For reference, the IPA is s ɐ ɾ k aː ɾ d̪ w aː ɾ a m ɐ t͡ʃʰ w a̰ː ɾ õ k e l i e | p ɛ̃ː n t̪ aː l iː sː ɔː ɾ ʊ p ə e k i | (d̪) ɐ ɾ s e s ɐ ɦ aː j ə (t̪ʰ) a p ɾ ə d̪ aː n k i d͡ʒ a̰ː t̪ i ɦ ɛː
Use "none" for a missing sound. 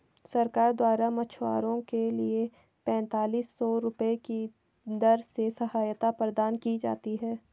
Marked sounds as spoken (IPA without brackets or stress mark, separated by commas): d̪, t̪